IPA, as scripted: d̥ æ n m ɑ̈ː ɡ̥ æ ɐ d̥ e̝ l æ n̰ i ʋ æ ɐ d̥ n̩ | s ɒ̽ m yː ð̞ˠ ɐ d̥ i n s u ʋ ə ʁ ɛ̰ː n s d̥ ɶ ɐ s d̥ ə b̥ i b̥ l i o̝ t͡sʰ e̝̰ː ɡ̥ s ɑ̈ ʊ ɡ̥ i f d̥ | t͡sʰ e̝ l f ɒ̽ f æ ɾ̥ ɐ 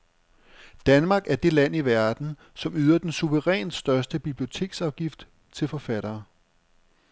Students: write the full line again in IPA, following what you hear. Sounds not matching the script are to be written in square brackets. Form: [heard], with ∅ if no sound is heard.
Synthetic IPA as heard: d̥ æ n m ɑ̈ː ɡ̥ æ ɐ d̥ e̝ l æ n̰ i ʋ æ ɐ d̥ n̩ | s ɒ̽ m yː ð̞ˠ ɐ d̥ [e] n s u ʋ ə ʁ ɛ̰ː n s d̥ ɶ ɐ s d̥ ə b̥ i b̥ l i o̝ t͡sʰ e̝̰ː ɡ̥ s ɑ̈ ʊ ɡ̥ i f d̥ | t͡sʰ e̝ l f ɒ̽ f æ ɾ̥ [ɐː]